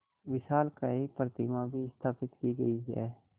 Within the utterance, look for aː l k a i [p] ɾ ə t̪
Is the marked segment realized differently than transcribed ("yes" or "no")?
no